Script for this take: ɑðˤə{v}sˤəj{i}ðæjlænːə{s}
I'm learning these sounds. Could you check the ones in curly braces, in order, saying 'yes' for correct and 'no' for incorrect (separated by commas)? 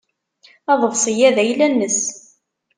yes, no, yes